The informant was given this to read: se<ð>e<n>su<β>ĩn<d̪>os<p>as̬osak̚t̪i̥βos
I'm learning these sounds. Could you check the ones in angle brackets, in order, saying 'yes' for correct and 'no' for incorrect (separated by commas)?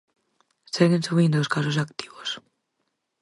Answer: no, yes, yes, yes, no